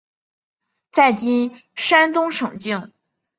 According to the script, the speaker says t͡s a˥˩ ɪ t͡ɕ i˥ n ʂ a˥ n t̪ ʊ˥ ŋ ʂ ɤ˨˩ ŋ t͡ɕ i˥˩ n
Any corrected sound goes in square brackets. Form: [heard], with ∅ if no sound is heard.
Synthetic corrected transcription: t͡s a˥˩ ɪ t͡ɕ i˥ n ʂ a˥ n t̪ ʊ˥ ŋ ʂ ɤ˨˩ ŋ t͡ɕ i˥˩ [ŋ]